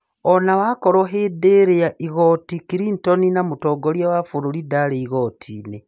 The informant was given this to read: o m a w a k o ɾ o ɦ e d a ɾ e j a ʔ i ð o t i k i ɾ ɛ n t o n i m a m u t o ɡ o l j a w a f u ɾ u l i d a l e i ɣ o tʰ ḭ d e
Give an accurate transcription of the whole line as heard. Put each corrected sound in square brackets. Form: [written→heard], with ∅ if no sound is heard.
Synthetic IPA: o [m→n] a w a k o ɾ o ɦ e d [a→e] ɾ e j a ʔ i [ð→ɣ] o t i k i ɾ [ɛ→i] n t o n i [m→n] a m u t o ɡ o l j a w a f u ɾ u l i d a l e i ɣ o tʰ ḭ [d→n] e